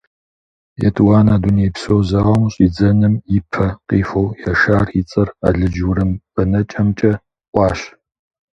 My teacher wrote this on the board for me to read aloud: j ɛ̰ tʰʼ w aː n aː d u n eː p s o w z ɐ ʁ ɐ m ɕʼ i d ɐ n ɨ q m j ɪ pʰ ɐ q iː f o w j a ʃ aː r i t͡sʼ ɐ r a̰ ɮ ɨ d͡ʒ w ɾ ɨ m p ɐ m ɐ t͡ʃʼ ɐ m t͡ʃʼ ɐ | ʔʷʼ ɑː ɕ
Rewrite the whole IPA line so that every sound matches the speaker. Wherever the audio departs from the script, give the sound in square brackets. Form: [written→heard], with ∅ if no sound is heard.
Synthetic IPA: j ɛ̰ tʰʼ w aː n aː d u n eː p s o w z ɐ ʁ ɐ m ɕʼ i [d→d͡z] ɐ n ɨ [q→∅] m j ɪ pʰ ɐ q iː f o w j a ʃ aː r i t͡sʼ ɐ r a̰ ɮ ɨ d͡ʒ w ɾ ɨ m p ɐ [m→n] ɐ t͡ʃʼ ɐ m t͡ʃʼ ɐ | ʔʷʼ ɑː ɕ

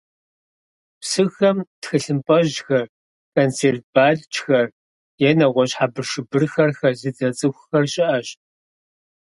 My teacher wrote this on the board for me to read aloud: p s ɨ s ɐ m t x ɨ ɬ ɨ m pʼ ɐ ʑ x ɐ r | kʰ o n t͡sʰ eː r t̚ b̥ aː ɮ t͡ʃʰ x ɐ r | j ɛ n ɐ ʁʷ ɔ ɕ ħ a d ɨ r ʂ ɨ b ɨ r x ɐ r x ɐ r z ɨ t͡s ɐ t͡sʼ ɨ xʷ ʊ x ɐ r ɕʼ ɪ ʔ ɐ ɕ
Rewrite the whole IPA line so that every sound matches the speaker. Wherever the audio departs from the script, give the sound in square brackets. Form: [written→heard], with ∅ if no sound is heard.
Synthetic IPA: p s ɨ [s→x] ɐ m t x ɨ ɬ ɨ m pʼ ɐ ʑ x ɐ r | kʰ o n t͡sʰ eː r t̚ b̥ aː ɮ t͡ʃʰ x ɐ r | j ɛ n ɐ ʁʷ ɔ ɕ ħ a [d→b] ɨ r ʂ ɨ b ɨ r x ɐ r x ɐ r z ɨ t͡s ɐ t͡sʼ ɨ xʷ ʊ x ɐ r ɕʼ ɪ ʔ ɐ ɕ

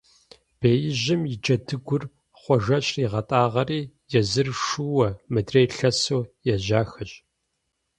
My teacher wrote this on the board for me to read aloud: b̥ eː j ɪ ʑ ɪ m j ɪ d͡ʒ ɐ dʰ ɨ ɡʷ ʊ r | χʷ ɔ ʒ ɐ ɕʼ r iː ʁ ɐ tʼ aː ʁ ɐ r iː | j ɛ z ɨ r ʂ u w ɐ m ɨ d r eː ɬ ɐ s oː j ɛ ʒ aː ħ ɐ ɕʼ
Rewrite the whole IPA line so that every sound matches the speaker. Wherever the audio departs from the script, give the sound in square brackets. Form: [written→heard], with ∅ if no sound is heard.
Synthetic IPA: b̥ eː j ɪ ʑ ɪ m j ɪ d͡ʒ ɐ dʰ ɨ ɡʷ ʊ r | χʷ ɔ ʒ ɐ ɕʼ r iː ʁ ɐ tʼ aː ʁ ɐ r iː | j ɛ z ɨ r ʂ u w ɐ m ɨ d r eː ɬ ɐ s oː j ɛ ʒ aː [ħ→x] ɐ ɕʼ

